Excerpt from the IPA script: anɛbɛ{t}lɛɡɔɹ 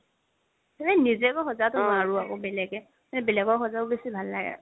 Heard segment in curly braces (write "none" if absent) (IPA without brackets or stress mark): none